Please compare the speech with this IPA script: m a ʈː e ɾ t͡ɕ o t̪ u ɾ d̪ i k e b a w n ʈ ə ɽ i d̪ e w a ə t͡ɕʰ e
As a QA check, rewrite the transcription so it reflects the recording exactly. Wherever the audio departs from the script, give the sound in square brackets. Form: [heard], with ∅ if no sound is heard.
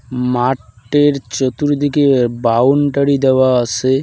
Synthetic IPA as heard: m a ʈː e ɾ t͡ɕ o t̪ u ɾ d̪ i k e b a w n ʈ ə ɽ i d̪ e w a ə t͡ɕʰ e